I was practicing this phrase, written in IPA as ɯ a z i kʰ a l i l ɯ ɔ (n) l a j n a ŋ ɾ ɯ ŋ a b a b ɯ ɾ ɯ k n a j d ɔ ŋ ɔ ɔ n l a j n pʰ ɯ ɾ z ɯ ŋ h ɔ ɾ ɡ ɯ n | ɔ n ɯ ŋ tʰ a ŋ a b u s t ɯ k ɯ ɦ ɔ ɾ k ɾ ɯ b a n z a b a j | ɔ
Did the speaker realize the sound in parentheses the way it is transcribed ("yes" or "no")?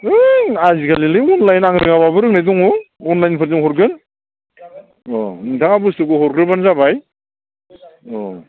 yes